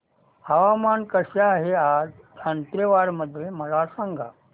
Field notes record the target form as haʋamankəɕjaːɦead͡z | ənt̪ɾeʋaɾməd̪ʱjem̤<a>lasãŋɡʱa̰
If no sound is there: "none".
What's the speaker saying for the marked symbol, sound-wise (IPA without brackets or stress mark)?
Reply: ə